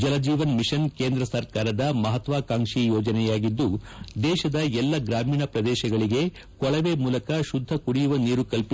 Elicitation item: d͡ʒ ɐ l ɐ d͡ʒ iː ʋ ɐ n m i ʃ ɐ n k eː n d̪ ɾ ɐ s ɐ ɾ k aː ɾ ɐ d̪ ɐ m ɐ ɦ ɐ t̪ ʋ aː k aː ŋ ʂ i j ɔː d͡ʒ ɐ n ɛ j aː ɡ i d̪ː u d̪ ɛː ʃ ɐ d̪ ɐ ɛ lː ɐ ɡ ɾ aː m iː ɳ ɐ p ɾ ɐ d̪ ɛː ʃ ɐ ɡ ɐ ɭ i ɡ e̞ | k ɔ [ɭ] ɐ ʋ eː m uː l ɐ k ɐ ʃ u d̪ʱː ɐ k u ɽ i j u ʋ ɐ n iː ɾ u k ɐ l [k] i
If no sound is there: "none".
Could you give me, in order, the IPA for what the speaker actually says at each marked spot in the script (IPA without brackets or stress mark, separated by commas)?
ɭ, p